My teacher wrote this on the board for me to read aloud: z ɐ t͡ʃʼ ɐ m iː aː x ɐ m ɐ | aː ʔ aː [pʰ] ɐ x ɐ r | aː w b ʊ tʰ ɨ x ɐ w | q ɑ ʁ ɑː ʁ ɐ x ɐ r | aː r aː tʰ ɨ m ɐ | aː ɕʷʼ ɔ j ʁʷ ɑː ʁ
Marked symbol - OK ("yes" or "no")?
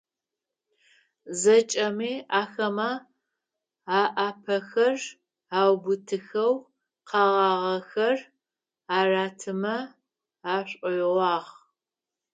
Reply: yes